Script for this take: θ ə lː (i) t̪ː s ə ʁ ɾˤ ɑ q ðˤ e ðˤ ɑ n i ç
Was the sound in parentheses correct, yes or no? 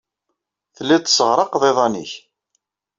no